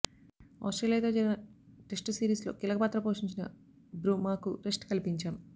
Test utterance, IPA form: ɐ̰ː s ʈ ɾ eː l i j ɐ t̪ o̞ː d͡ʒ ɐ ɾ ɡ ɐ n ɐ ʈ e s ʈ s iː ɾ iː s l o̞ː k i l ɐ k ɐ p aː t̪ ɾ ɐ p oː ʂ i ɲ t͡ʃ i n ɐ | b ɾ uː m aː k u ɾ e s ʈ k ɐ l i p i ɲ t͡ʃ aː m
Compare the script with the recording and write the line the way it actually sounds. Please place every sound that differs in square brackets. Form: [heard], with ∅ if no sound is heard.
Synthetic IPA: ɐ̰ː s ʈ ɾ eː l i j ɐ t̪ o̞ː d͡ʒ ɐ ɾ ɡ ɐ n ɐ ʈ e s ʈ s iː ɾ iː s l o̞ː k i l ɐ k ɐ p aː t̪ ɾ ɐ p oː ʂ i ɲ t͡ʃ i n ɐ | b ɾ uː m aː k u ɾ e s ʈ k ɐ l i p i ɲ t͡ʃ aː m